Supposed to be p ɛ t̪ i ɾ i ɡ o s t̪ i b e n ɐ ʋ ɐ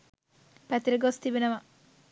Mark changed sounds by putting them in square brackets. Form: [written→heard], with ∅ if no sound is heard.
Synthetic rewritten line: p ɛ t̪ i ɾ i ɡ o s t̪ i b e n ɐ ʋ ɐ

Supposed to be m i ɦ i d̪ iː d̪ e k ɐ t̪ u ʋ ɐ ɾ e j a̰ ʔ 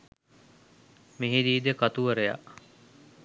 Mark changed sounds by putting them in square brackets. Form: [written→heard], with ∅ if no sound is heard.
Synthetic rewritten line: m i ɦ i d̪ iː d̪ e k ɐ t̪ u ʋ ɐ ɾ e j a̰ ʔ

